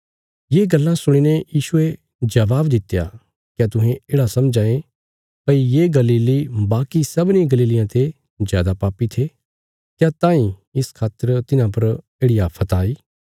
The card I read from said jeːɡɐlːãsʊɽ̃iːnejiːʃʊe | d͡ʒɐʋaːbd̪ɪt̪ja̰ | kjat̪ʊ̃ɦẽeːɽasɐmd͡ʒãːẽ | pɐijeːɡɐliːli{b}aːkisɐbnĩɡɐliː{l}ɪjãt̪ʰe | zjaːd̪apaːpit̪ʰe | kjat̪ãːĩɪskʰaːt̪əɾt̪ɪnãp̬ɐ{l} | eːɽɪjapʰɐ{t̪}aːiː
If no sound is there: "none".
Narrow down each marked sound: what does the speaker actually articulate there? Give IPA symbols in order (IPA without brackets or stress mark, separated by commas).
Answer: b, l, ɾ, t̪